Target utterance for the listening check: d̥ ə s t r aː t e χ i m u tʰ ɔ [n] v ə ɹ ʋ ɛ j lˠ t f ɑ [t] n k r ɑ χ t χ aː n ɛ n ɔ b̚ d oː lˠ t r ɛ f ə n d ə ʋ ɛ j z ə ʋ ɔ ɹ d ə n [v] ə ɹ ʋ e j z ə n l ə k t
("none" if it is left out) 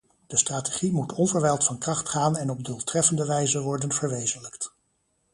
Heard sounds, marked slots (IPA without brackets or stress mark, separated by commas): n, none, v